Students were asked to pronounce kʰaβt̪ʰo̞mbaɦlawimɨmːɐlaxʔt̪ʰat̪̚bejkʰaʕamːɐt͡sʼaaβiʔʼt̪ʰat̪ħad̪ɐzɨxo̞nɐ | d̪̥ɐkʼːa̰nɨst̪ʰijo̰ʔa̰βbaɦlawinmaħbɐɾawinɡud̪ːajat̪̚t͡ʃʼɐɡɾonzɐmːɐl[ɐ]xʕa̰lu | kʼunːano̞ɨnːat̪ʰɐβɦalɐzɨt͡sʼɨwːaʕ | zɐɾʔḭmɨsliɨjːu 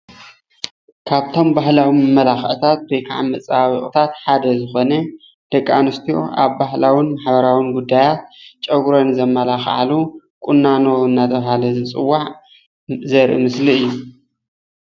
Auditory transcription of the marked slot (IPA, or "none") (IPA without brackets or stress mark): a